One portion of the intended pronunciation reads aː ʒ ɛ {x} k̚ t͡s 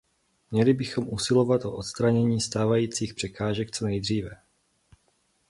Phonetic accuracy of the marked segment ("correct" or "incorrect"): incorrect